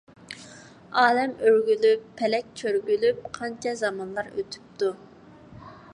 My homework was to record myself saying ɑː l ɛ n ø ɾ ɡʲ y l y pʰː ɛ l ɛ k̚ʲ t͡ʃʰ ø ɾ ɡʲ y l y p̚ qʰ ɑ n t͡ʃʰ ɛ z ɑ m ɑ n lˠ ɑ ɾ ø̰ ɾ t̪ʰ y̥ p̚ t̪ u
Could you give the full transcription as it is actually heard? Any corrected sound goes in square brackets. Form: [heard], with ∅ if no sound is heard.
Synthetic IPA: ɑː l ɛ [m] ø ɾ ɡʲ y l y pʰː ɛ l ɛ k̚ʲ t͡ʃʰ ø ɾ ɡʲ y l y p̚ qʰ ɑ n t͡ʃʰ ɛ z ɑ m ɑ n lˠ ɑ ɾ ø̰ [∅] t̪ʰ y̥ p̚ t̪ u